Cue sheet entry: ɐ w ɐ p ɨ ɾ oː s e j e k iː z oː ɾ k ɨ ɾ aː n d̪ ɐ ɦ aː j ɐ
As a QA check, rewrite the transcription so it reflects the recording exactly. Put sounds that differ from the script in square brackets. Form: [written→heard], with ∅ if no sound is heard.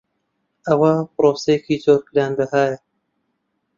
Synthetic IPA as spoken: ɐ w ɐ p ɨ ɾ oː s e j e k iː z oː ɾ k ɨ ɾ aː n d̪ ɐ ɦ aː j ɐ